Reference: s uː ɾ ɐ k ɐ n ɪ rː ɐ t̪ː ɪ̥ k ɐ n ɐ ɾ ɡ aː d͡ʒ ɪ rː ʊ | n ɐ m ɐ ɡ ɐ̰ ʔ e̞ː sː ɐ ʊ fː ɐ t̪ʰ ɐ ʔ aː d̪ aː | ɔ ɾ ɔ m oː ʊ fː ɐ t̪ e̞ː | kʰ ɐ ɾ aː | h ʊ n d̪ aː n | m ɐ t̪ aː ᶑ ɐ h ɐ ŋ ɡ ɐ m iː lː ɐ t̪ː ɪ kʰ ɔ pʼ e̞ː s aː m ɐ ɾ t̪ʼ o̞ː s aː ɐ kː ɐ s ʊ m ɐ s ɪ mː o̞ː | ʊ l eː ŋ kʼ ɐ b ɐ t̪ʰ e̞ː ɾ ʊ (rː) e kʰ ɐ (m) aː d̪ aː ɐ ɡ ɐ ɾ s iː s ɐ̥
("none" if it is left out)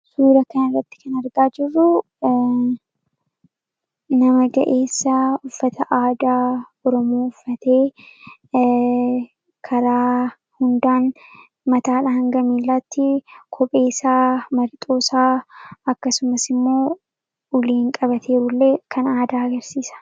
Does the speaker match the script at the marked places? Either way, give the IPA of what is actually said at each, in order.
lː, n

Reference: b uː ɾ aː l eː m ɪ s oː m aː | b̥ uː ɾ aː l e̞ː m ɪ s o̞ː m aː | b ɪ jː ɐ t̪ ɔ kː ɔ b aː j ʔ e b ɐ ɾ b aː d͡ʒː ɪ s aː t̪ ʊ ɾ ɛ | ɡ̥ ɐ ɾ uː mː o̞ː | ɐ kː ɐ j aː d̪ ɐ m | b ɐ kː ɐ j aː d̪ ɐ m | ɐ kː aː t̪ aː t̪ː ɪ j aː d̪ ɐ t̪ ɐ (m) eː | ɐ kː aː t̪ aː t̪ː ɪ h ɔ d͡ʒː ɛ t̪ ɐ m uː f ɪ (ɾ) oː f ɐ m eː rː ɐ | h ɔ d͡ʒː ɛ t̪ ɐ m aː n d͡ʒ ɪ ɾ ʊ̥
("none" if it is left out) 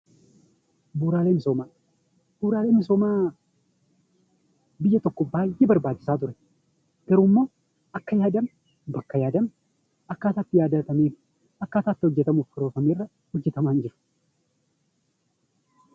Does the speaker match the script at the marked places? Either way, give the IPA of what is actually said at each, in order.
m, ɾ

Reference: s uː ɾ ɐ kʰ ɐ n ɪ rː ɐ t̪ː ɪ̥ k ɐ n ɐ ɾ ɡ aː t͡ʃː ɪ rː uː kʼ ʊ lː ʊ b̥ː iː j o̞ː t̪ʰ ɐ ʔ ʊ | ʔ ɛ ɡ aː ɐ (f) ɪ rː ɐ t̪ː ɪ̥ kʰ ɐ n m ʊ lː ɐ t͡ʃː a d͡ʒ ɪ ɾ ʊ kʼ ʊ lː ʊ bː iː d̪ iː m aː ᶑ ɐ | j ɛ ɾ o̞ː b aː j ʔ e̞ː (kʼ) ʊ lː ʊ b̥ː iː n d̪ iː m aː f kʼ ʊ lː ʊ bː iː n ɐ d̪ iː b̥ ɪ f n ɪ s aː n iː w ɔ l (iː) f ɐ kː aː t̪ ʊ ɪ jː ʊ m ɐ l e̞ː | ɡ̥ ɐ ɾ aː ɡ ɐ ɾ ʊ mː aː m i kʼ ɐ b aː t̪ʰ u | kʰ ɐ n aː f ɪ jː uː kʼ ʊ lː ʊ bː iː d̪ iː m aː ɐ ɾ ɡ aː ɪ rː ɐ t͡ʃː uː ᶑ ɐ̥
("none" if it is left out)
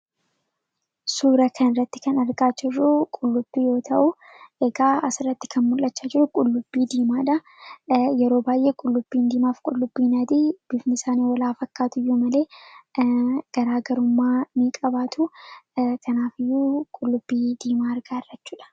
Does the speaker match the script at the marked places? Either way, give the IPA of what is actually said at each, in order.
s, kʼ, aː

